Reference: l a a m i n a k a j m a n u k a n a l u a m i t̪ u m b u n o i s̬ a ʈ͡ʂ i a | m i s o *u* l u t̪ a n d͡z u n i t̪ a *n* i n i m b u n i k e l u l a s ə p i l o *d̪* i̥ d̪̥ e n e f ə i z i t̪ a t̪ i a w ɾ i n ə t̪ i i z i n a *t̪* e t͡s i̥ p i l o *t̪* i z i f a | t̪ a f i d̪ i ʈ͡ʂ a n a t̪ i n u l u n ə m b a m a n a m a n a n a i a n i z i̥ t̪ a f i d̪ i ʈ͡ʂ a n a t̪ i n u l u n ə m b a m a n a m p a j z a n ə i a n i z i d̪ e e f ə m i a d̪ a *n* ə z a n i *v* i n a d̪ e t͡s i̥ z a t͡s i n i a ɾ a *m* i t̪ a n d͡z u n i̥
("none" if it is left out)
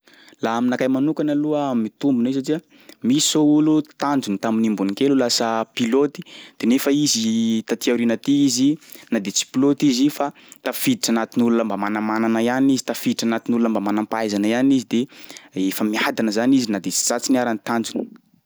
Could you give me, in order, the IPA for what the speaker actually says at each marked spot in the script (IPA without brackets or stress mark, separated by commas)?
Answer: u, m, t̪, d̪, t̪, n, z, n